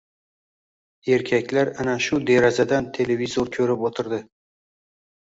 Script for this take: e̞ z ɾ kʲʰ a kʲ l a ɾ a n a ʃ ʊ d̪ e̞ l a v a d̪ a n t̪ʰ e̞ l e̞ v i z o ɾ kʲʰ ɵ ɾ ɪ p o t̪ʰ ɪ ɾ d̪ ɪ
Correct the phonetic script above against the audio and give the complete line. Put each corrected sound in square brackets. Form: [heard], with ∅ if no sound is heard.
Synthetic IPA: e̞ [∅] ɾ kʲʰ a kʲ l a ɾ a n a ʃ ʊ d̪ e̞ [ɾ] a [z] a d̪ a n t̪ʰ e̞ l e̞ v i z o ɾ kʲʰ ɵ ɾ ɪ p o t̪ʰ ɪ ɾ d̪ ɪ